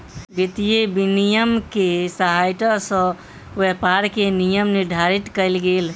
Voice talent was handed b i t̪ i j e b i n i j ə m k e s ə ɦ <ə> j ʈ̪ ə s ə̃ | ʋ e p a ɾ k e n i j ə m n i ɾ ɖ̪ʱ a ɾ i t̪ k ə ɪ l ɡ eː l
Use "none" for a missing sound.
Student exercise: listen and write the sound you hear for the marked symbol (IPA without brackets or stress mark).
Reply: a